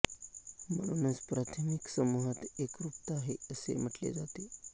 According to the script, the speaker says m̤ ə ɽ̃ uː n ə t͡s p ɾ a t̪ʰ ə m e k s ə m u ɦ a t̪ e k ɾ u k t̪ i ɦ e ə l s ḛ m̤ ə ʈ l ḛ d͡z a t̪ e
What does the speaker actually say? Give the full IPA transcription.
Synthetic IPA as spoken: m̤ ə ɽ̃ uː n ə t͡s p ɾ a t̪ʰ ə m i k s ə m u ɦ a t̪ e k ɾ u p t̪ a ɦ e ə s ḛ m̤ ə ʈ l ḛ d͡z a t̪ e